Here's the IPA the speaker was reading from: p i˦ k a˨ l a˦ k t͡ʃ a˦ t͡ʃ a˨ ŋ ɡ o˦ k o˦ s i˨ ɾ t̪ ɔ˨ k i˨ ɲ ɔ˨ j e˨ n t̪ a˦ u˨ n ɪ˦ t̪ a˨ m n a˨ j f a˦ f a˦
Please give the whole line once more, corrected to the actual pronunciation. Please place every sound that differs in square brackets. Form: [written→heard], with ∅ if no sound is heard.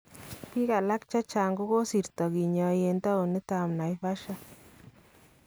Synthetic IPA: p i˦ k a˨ l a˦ k t͡ʃ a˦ t͡ʃ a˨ ŋ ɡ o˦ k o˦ s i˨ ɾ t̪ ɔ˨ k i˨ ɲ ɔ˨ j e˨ n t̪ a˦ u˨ n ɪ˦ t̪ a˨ m n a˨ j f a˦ [f→ʃ] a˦